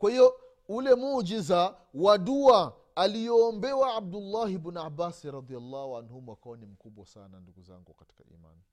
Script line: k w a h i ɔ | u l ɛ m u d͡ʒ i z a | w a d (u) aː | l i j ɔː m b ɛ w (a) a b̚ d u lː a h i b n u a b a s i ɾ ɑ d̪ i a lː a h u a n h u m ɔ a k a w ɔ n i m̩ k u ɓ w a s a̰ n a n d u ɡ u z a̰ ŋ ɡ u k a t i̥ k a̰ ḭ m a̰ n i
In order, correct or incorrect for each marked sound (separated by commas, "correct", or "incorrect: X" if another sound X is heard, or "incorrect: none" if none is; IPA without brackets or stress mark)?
correct, correct